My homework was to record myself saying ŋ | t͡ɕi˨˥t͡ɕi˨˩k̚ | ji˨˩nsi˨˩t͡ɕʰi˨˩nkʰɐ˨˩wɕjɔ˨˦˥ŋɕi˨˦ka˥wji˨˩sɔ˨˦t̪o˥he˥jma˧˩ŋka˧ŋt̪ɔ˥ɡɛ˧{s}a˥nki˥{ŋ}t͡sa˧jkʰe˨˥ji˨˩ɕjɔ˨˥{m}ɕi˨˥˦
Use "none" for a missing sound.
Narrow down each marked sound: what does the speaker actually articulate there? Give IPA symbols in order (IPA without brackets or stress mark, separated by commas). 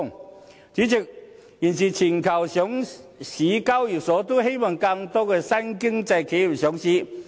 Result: s, ŋ, ŋ